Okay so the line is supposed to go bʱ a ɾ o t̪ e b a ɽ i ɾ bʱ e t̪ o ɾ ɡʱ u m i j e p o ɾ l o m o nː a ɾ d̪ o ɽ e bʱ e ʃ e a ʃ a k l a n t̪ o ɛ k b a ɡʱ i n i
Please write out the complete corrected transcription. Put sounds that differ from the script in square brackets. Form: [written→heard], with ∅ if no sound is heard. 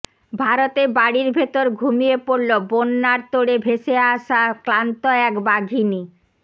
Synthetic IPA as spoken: bʱ a ɾ o t̪ e b a ɽ i ɾ bʱ e t̪ o ɾ ɡʱ u m i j e p o ɾ l o [m→b] o nː a ɾ [d̪→t̪] o ɽ e bʱ e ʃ e a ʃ a k l a n t̪ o ɛ k b a ɡʱ i n i